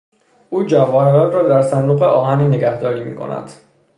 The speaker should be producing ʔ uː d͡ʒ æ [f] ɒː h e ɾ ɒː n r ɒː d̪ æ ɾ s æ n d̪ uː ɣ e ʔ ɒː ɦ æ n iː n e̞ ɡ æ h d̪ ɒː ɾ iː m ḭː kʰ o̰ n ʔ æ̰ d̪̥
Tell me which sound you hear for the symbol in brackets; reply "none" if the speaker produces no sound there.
v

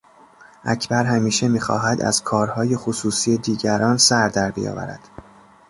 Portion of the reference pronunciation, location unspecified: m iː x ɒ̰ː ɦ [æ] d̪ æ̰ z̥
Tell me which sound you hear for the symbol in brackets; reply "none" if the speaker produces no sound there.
æ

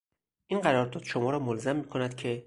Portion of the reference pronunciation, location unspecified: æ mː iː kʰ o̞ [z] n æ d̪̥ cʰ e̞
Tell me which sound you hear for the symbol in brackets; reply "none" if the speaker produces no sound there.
none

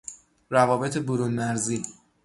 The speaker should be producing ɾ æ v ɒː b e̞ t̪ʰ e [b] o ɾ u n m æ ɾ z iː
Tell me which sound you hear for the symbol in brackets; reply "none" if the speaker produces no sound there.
b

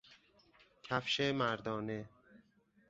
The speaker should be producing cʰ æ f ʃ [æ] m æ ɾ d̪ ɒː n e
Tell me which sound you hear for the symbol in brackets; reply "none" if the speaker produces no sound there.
e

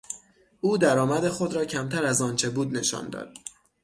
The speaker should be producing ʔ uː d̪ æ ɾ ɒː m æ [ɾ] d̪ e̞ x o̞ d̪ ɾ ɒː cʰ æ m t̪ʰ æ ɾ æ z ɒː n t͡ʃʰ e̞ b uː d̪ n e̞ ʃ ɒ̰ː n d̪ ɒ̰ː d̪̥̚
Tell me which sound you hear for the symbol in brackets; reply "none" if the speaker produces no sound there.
none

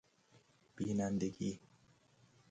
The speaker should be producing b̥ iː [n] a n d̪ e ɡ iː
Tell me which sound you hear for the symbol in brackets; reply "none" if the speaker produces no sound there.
n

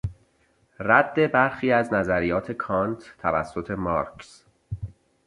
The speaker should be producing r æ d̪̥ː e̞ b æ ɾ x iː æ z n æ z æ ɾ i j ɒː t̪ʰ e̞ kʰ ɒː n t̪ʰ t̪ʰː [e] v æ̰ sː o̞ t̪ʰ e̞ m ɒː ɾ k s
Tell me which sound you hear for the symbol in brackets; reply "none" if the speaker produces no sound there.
æ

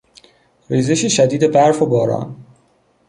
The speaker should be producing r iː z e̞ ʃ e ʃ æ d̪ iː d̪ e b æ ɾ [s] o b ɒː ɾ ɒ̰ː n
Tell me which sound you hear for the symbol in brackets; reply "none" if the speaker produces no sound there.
f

